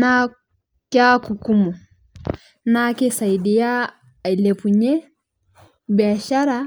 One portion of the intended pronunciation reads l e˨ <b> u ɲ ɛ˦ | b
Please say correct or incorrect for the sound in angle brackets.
incorrect